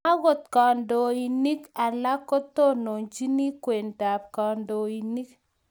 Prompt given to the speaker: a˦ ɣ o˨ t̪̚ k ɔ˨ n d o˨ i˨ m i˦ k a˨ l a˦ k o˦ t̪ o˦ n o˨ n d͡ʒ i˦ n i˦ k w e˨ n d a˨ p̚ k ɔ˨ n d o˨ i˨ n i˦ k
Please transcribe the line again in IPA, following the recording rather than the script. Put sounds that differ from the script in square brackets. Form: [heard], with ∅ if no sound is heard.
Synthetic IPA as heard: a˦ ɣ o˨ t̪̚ k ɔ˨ n d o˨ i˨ [n] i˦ k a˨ l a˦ k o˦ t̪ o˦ n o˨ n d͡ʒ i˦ n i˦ k w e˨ n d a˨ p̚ k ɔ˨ n d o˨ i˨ n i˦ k

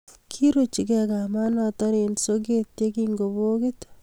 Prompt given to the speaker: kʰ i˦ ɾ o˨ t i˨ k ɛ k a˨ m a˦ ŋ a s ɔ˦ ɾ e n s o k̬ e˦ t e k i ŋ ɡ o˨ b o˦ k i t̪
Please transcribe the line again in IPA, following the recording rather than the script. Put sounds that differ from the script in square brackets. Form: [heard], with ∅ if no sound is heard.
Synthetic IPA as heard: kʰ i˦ ɾ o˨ [t͡ʃ] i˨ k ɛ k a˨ m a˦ [n] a [t] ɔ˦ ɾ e n s o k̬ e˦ t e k i ŋ ɡ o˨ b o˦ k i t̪

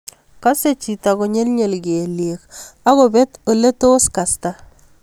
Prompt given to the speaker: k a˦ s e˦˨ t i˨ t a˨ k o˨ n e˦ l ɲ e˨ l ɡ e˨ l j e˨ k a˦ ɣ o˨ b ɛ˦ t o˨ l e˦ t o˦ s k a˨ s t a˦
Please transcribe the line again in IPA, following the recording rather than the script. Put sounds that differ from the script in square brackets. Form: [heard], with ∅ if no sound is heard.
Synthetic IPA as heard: k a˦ s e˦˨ [t͡ʃ] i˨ t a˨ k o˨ [ɲ] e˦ l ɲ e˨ l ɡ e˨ l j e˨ k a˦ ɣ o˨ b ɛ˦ t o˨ l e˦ t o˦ s k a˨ s t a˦

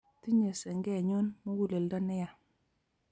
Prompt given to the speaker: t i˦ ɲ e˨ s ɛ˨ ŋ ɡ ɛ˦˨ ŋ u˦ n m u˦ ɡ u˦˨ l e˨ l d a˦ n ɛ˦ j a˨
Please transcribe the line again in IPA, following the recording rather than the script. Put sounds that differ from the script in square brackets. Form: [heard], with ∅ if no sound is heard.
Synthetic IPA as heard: t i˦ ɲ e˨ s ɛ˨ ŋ ɡ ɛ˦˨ [ɲ] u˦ n m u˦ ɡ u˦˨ l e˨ l d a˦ n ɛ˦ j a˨

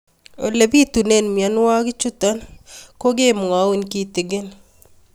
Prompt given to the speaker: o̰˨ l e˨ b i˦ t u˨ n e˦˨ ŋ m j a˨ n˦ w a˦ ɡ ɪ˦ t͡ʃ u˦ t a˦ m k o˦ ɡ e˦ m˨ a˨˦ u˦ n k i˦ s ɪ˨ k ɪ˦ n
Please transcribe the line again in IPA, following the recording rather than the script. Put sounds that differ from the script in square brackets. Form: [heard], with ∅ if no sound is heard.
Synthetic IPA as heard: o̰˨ l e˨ b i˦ t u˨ n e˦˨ [n] m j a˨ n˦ w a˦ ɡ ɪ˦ t͡ʃ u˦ t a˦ [n] k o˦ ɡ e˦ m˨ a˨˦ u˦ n k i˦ [t] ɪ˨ [ɡ] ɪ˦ n

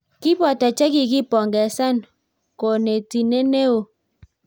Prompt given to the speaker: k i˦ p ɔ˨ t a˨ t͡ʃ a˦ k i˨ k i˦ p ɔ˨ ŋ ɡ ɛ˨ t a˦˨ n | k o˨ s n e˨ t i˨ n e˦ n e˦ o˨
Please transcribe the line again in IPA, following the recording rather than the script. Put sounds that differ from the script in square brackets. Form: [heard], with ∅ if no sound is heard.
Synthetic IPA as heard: k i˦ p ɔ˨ t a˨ t͡ʃ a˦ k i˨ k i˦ p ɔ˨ ŋ ɡ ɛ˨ [s] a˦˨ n | k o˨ [∅] n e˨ t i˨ n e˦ n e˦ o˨

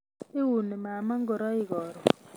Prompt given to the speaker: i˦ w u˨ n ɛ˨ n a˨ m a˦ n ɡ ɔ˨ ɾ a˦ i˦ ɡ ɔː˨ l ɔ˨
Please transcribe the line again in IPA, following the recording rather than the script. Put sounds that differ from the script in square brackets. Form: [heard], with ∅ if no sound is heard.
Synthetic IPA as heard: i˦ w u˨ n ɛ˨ [m] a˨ m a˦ [ŋ] ɡ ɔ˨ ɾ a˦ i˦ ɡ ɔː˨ [ɾ] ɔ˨

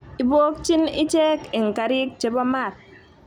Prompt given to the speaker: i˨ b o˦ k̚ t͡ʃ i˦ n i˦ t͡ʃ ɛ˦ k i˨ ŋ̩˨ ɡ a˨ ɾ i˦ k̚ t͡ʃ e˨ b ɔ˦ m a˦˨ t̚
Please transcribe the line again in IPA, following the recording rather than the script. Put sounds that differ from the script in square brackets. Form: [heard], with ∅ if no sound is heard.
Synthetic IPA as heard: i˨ b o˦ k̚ t͡ʃ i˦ n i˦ t͡ʃ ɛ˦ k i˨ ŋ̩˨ [k] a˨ ɾ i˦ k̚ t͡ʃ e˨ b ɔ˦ m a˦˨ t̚

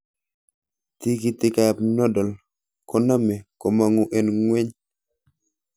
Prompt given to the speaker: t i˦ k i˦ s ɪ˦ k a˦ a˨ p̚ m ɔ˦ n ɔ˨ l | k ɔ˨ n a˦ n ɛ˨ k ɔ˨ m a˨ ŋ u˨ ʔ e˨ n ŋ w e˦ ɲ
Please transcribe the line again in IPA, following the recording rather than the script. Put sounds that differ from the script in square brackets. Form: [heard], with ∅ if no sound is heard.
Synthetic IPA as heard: t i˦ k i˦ [t] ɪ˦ k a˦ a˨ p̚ [n] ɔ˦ [d] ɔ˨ l | k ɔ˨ n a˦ [m] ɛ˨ k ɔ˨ m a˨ ŋ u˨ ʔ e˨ n ŋ w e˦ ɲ

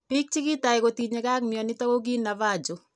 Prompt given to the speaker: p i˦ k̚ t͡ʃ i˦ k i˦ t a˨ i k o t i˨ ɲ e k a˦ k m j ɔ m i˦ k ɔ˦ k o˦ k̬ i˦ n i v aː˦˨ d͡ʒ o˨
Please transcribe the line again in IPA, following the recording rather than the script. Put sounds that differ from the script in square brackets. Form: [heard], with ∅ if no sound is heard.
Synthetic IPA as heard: p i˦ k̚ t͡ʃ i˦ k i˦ t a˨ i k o t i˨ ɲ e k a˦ k m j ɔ [n] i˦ [t] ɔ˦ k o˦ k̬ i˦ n [a] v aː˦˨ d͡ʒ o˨

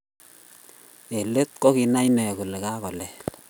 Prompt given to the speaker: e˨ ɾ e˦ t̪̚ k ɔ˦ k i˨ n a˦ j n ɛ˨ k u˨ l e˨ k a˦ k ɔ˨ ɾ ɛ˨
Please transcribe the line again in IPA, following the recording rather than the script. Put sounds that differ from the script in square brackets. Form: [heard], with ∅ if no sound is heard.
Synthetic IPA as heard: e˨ [l] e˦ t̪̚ k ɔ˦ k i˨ n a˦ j n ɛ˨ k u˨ l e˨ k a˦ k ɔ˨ [l] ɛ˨

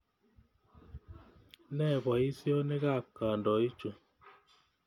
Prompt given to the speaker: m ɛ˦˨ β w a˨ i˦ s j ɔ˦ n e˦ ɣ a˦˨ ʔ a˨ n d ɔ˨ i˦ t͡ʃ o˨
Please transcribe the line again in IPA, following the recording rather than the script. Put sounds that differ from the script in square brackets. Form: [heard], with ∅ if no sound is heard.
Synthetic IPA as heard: [n] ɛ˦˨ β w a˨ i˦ s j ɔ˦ n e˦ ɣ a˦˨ [k] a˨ n d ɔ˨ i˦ t͡ʃ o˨

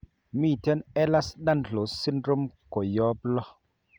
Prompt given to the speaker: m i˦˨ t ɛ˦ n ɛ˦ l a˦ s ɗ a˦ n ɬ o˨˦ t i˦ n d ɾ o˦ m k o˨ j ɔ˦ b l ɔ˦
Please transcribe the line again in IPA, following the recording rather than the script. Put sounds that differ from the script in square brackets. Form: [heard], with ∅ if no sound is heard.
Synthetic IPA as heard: m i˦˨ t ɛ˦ n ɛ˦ l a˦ s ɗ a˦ n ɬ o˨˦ [s] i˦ n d ɾ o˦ m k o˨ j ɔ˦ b l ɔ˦

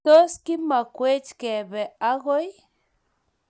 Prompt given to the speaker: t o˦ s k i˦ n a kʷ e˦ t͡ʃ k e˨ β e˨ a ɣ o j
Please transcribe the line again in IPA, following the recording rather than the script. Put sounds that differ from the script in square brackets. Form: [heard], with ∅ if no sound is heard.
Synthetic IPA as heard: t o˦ s k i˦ [m] a kʷ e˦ t͡ʃ k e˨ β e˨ a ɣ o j

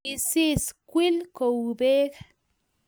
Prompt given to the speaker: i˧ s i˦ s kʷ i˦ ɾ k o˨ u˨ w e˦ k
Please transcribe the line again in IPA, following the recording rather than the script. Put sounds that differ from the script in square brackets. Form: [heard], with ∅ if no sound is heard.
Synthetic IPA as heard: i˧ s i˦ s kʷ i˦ [l] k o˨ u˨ [b] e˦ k

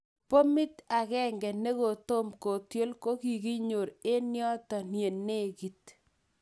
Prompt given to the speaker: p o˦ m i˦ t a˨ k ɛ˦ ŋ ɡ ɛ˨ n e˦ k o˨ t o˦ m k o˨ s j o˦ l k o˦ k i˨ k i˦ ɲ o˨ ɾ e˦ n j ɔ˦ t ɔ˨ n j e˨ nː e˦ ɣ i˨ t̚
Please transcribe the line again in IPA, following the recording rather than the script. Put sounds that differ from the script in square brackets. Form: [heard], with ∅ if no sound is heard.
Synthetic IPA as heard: p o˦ m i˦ t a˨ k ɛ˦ ŋ ɡ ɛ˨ n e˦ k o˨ t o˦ m k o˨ [t] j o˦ l k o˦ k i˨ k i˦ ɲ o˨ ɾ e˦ n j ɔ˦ t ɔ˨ n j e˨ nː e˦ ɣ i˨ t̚

